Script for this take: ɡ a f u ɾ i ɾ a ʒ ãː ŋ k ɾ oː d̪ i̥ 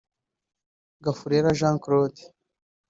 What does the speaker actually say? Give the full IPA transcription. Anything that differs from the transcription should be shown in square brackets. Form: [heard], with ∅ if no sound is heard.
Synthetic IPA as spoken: ɡ a f u ɾ [e] ɾ a ʒ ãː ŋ k ɾ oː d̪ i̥